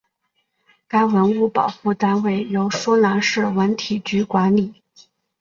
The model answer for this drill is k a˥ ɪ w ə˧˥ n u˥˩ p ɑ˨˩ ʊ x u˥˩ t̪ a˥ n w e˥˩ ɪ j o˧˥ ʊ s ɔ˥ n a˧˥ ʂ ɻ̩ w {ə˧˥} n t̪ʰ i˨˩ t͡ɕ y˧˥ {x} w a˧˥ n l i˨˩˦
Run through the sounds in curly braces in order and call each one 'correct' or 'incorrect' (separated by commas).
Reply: correct, incorrect